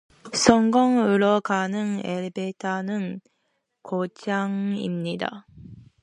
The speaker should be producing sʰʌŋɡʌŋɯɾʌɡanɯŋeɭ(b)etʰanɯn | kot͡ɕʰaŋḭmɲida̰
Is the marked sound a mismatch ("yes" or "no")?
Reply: no